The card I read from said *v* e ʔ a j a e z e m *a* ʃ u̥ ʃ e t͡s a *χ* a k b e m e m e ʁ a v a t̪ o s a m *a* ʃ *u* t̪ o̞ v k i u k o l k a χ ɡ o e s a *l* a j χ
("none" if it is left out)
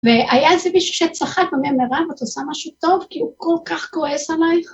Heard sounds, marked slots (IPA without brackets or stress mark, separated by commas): v, i, χ, a, u, l